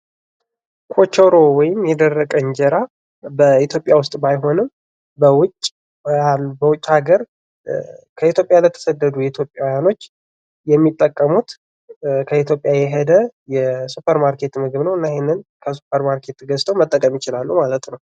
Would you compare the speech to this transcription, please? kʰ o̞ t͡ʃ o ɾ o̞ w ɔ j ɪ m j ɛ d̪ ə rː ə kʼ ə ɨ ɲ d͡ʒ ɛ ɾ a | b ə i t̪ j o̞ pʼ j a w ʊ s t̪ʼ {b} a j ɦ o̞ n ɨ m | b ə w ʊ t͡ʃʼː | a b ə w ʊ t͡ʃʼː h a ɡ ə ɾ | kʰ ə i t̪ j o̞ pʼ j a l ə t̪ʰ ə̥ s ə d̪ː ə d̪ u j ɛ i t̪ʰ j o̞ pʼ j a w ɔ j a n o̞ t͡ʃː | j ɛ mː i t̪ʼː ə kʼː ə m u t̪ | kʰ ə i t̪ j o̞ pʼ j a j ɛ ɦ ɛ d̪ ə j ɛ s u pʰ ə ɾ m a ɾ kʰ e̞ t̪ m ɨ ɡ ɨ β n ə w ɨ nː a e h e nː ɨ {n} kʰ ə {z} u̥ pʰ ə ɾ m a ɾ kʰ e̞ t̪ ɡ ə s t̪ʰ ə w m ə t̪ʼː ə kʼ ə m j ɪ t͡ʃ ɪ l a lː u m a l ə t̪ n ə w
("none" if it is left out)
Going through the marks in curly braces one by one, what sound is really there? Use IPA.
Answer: b, n, s

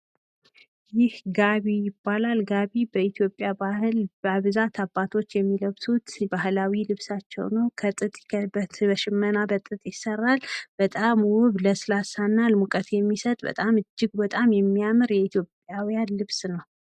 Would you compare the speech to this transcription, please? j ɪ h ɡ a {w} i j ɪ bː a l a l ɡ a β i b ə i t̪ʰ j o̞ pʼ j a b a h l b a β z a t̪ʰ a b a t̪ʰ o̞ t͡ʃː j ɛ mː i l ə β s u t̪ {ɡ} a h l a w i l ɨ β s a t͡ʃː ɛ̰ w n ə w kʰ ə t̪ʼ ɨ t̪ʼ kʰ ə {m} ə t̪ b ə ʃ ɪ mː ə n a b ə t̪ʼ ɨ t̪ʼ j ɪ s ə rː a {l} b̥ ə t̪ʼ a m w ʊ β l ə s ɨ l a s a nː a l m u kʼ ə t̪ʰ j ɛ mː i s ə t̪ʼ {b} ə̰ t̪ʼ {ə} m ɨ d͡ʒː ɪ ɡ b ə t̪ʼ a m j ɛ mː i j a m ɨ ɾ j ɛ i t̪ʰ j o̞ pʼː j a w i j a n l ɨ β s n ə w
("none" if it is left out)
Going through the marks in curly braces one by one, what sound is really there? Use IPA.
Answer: β, b, b, l, b, a

